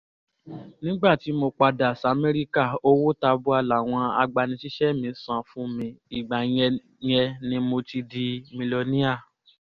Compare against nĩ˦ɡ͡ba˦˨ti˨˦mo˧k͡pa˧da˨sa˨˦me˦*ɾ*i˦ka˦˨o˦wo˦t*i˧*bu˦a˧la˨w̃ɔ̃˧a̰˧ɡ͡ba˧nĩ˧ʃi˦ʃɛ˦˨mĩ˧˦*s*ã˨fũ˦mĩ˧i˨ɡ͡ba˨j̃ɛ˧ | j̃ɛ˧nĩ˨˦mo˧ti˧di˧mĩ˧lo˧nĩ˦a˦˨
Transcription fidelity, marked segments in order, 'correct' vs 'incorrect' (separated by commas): correct, incorrect, correct